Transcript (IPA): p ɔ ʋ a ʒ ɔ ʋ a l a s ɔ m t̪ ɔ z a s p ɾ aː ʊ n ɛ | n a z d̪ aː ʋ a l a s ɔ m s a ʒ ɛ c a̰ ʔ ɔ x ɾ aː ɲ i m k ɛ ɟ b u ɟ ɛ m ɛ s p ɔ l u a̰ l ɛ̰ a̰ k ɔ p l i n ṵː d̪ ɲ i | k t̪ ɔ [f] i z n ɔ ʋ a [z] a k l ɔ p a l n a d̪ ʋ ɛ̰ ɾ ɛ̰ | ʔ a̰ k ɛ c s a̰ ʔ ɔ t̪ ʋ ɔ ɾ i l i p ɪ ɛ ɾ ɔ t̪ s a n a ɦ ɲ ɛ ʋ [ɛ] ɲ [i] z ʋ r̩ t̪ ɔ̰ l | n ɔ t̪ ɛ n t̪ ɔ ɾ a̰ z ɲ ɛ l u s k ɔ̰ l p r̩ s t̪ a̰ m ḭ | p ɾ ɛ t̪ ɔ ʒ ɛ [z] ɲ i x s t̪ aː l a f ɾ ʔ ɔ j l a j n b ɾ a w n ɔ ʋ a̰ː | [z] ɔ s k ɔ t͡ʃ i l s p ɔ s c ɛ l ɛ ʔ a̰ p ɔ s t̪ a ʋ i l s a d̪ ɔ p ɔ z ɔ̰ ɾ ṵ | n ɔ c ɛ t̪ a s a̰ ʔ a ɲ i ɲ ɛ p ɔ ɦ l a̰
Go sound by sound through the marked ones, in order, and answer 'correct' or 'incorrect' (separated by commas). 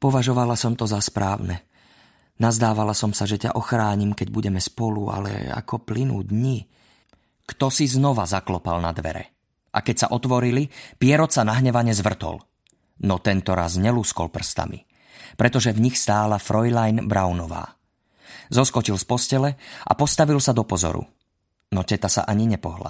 incorrect, correct, incorrect, incorrect, incorrect, correct